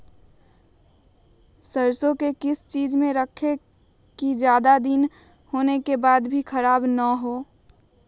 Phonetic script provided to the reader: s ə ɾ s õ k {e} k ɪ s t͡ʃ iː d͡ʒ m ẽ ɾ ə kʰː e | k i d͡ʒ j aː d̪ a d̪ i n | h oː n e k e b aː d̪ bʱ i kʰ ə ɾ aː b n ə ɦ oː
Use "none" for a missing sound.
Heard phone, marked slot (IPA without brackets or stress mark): e